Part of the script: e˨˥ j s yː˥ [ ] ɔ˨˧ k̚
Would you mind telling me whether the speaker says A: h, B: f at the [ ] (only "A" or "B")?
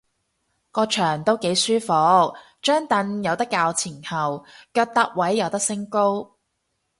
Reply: B